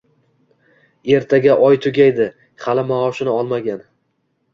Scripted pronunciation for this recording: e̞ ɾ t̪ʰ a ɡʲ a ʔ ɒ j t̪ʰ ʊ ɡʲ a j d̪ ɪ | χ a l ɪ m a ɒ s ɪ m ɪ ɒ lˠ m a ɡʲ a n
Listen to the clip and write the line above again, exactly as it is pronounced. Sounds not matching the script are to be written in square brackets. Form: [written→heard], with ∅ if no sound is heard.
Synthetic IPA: e̞ ɾ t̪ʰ a ɡʲ a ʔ ɒ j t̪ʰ ʊ ɡʲ a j d̪ ɪ | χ a l ɪ m a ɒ [s→ʃ] ɪ [m→n] ɪ ɒ lˠ m a ɡʲ a n